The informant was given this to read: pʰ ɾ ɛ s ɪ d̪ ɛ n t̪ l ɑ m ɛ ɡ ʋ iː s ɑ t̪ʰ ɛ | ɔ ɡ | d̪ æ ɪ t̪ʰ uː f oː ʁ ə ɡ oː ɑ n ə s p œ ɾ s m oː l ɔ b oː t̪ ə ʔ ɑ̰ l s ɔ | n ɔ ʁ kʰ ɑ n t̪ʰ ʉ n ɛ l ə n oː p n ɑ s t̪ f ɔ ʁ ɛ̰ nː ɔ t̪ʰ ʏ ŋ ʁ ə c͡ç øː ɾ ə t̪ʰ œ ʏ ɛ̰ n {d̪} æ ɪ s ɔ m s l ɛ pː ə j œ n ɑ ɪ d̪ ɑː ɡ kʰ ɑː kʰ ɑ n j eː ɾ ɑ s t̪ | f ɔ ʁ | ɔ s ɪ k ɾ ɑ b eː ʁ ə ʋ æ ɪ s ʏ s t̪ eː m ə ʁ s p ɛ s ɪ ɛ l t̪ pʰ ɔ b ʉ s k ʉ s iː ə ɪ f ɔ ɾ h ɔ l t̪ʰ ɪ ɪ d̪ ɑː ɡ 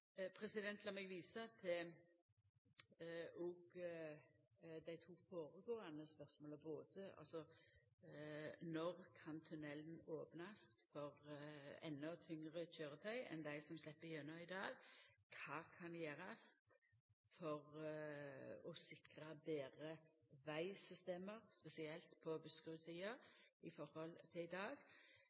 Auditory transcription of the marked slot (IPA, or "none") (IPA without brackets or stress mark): d̪